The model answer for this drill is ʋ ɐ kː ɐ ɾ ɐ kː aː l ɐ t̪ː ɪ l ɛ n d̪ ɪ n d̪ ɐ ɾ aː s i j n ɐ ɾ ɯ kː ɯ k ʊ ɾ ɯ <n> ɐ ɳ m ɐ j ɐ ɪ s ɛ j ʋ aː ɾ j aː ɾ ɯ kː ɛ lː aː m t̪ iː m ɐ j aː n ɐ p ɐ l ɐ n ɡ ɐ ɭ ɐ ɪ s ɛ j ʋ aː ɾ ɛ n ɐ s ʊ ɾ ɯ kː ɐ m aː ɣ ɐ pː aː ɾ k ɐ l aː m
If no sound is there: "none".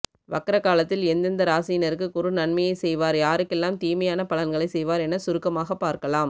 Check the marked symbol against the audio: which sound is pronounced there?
n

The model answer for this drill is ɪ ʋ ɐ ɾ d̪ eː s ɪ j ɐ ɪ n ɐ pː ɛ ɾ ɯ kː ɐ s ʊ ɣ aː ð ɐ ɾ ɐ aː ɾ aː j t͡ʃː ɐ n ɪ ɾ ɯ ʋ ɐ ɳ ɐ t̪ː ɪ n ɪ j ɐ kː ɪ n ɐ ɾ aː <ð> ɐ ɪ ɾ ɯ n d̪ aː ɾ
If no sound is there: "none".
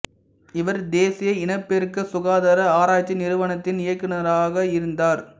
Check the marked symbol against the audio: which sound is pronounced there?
ɣ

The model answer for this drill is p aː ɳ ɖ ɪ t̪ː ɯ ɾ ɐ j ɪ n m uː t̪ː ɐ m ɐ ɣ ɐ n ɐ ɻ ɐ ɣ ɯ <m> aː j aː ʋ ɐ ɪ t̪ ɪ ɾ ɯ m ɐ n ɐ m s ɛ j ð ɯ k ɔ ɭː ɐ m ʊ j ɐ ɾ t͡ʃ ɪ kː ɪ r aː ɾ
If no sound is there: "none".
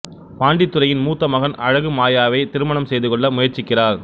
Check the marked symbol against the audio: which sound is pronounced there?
m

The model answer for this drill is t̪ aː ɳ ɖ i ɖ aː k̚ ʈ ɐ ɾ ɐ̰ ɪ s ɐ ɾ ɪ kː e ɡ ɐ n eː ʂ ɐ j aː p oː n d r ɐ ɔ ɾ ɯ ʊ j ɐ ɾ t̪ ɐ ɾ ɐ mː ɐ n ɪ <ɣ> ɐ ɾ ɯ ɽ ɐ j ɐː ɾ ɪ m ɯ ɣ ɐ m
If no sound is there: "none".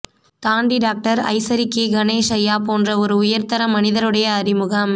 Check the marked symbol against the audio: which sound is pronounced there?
ð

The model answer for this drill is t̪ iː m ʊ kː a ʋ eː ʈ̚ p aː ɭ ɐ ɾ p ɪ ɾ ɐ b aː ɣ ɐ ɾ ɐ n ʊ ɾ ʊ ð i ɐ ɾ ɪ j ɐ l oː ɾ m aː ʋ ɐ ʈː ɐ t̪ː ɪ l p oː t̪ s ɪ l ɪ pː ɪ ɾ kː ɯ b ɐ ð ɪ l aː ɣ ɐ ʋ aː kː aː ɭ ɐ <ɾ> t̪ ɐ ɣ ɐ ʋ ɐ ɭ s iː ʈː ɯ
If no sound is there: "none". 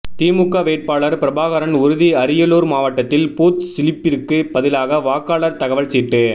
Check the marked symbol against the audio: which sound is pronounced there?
ɾ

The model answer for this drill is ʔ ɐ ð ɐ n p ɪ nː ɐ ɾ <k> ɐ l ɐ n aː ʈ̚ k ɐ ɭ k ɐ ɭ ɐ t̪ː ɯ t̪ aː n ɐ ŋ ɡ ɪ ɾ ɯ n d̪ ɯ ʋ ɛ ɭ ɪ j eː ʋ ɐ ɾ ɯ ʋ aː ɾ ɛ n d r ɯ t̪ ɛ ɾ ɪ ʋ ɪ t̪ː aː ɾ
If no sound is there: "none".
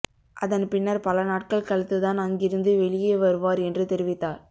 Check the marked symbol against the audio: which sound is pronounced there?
p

